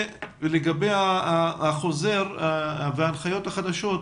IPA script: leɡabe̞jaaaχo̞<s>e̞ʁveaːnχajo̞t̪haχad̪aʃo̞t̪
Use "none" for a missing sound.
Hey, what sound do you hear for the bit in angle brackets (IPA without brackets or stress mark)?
z